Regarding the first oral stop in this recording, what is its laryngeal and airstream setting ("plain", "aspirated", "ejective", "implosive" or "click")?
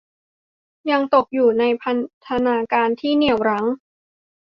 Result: plain